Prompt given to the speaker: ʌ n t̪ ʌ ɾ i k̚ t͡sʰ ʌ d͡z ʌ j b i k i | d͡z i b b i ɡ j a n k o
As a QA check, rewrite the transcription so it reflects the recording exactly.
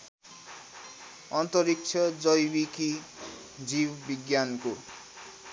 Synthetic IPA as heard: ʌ n t̪ ʌ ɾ i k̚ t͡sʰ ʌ d͡z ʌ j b i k i | d͡z i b b i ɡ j a n k o